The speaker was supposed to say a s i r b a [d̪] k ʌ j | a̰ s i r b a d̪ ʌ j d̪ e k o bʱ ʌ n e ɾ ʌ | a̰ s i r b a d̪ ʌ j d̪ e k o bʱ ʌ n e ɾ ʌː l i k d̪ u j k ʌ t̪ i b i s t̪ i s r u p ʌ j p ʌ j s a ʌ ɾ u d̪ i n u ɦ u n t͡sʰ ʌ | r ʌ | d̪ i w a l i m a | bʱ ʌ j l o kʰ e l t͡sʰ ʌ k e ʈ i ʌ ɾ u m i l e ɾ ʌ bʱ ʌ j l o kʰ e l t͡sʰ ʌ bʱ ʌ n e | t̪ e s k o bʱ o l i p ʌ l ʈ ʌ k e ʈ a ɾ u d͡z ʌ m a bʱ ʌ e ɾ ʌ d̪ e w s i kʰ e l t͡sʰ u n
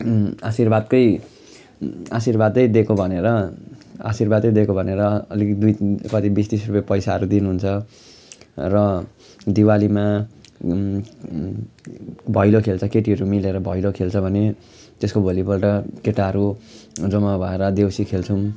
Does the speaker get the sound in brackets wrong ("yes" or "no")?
no